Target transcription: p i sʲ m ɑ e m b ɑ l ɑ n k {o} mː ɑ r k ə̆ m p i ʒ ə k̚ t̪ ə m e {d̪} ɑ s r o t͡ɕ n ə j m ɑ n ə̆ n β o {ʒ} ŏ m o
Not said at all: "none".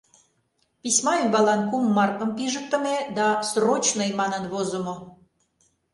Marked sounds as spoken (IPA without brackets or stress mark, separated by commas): u, d̪, z